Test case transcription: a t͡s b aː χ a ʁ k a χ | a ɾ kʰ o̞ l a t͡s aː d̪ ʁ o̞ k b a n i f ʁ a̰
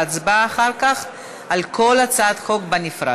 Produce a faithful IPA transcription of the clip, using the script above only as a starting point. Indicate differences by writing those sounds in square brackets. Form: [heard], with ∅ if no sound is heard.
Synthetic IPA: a t͡s b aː χ a ʁ k a χ | a [l] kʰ o̞ l a t͡s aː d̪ [χ] o̞ k b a n i f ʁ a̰